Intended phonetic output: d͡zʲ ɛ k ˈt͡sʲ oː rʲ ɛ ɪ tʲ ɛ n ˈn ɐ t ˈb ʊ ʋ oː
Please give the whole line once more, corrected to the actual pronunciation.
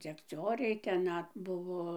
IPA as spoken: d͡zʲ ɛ k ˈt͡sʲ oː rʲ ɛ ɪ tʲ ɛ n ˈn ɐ t ˈb ʊ ʋ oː